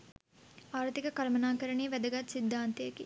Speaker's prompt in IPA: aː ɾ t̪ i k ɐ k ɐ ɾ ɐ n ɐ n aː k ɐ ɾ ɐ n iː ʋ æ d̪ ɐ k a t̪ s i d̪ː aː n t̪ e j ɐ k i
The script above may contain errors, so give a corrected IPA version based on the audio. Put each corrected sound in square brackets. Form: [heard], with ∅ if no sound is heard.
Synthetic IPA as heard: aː ɾ t̪ i k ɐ k ɐ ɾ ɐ [m] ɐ n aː k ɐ ɾ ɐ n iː ʋ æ d̪ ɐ [ɡ] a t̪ s i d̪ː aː n t̪ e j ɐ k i